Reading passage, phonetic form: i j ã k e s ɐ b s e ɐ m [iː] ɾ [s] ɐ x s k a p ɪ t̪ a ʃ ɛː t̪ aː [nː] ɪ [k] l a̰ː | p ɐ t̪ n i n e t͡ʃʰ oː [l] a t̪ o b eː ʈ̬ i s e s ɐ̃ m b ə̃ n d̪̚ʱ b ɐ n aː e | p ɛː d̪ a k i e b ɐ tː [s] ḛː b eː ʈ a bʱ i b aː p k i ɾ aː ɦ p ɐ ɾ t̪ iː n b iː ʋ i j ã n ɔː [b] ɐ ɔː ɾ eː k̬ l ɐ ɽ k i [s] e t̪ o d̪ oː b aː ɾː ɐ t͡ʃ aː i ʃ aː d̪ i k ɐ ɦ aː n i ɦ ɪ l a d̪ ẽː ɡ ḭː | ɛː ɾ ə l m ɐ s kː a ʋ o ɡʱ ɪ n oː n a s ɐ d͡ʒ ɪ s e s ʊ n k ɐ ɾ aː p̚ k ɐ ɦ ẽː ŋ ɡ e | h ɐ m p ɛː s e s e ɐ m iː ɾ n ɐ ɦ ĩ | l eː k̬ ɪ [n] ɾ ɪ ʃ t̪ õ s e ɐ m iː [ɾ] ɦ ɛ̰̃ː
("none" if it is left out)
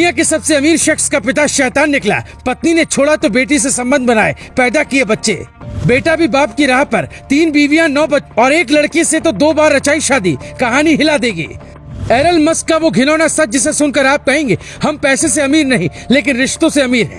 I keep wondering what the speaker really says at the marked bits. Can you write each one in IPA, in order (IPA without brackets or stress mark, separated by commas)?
iː, ʃ, nː, k, ɽ, ʃ, b, s, n, ɾ